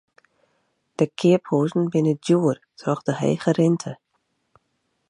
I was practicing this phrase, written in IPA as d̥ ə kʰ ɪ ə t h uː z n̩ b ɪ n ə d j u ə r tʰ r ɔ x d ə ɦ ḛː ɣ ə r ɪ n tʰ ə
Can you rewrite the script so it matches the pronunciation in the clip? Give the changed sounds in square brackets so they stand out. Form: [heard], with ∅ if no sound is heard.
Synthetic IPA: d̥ ə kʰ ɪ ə [p] h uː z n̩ b ɪ n ə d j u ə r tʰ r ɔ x d ə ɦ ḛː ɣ ə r ɪ n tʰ ə